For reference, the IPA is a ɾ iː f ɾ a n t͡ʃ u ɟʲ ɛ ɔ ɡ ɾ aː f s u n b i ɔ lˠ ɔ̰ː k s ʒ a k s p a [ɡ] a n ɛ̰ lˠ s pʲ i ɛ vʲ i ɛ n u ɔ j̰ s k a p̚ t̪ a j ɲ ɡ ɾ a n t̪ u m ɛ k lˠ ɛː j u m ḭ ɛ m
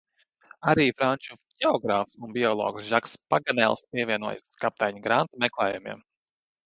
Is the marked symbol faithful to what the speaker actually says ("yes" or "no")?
yes